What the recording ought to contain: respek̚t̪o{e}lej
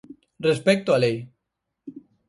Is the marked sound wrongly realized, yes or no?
yes